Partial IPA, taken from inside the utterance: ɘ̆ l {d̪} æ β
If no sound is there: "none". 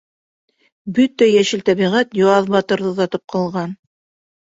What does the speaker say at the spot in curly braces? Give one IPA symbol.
t̪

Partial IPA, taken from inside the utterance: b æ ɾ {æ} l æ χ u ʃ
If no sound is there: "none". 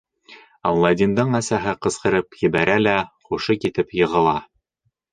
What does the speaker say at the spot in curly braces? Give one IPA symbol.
æ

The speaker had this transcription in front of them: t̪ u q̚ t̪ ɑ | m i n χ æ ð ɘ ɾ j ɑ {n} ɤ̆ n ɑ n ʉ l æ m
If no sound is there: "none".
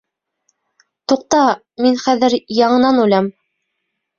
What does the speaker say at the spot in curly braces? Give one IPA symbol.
ɴ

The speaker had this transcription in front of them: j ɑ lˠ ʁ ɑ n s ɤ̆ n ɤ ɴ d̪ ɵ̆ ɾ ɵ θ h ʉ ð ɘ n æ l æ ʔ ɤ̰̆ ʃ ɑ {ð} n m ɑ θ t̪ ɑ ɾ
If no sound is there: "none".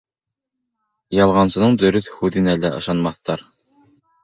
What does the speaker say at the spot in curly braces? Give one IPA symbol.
none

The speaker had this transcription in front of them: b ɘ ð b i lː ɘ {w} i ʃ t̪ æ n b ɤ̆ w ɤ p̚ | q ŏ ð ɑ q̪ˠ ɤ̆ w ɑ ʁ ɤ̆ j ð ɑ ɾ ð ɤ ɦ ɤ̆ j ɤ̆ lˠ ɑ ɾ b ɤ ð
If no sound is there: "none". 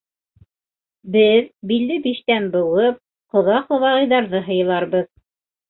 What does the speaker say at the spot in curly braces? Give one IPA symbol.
b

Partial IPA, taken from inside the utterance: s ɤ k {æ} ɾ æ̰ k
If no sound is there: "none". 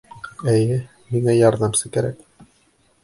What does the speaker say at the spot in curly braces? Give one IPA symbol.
æ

